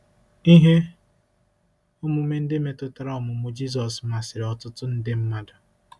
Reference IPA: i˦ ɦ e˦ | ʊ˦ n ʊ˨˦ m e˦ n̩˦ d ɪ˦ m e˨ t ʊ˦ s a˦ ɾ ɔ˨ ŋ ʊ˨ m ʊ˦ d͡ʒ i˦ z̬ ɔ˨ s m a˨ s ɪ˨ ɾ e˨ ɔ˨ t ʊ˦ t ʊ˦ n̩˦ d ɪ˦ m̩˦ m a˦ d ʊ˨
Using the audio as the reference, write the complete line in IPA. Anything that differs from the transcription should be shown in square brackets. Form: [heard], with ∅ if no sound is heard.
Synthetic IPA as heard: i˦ ɦ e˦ | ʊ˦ [m] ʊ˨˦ m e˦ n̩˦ d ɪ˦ m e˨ t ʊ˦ [t] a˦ ɾ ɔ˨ [m] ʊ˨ m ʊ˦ d͡ʒ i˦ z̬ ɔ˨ s m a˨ s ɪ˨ ɾ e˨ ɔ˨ t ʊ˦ t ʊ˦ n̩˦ d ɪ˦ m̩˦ m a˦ d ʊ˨